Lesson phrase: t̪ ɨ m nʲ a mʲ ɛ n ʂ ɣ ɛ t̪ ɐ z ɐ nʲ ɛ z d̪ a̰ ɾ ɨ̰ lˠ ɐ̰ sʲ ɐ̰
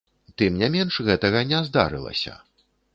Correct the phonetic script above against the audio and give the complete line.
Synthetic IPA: t̪ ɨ m nʲ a mʲ ɛ n ʂ ɣ ɛ t̪ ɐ ɣ ɐ nʲ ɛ z d̪ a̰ ɾ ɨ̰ lˠ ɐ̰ sʲ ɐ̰